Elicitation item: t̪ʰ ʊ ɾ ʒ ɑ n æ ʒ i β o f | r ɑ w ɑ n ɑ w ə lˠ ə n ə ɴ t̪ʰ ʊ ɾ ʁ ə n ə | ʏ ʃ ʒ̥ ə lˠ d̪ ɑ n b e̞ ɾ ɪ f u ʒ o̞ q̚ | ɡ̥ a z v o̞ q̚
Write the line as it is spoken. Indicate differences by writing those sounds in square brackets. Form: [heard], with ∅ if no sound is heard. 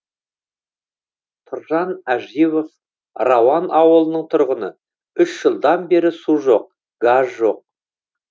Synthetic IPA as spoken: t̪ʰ ʊ ɾ ʒ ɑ n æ ʒ i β o f | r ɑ w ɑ n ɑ w ə lˠ ə n ə ɴ t̪ʰ ʊ ɾ ʁ ə n ə | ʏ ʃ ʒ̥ ə lˠ d̪ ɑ n b e̞ ɾ ɪ [s] u ʒ o̞ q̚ | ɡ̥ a z [ʒ] o̞ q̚